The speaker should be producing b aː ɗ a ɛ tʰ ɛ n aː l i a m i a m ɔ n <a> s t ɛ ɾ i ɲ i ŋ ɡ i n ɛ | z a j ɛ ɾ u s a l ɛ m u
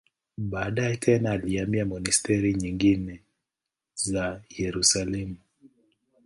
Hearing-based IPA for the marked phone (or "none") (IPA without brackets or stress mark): i